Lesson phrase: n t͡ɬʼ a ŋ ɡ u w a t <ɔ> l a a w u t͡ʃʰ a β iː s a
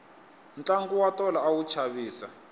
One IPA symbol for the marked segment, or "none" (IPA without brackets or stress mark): ɔ